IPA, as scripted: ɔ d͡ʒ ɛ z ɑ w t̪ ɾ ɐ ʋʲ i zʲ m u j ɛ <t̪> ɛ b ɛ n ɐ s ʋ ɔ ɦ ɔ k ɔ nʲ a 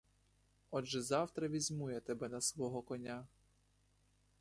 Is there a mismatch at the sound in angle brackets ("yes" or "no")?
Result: no